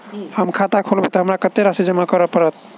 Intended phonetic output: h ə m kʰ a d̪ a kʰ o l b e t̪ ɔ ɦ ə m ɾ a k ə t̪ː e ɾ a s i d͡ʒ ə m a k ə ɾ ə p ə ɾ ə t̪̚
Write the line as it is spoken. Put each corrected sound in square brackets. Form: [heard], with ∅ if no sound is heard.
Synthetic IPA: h ə m kʰ a [t̪] a kʰ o l b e t̪ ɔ ɦ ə m ɾ a k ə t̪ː e ɾ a s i d͡ʒ ə m a k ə ɾ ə p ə ɾ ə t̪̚